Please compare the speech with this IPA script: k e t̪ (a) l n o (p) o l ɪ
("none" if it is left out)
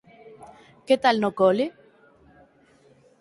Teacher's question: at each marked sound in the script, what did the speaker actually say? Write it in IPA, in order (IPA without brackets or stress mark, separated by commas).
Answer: a, k